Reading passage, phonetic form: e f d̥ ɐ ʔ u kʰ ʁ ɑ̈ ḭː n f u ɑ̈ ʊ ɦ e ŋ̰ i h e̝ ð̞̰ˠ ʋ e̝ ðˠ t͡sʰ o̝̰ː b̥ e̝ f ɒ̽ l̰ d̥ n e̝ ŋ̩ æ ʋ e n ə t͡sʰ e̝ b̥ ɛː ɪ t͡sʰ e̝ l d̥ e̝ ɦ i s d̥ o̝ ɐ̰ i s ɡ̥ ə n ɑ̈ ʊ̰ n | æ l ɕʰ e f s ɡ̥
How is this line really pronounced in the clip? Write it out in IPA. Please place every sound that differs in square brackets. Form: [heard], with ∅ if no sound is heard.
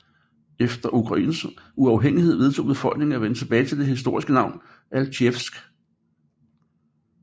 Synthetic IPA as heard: e f d̥ ɐ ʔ u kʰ ʁ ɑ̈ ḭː n [s] u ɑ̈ ʊ ɦ e ŋ̰ i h e̝ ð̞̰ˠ ʋ e̝ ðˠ t͡sʰ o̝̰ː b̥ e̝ f ɒ̽ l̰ [ɡ̥] n e̝ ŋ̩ æ ʋ e n ə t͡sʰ e̝ b̥ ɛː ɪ t͡sʰ e̝ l d̥ e̝ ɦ i s d̥ o̝ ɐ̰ i s ɡ̥ ə n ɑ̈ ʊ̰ n | æ l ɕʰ e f s ɡ̥